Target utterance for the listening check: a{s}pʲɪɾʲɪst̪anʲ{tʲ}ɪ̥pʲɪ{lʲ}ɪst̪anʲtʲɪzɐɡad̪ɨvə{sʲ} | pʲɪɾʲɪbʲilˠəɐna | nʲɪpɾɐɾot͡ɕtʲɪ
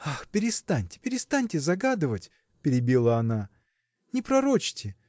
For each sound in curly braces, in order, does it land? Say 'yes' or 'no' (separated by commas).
no, yes, no, no